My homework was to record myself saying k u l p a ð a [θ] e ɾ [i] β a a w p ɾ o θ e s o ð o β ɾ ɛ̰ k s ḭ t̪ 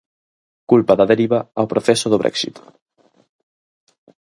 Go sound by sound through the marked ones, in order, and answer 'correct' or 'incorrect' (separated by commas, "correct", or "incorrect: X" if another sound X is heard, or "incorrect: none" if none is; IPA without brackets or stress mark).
incorrect: ð, correct